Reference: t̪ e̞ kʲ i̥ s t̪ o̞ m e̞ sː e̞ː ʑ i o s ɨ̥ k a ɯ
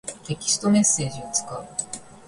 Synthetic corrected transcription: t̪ e̞ kʲ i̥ s t̪ o̞ m e̞ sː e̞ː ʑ i o t͡s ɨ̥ k a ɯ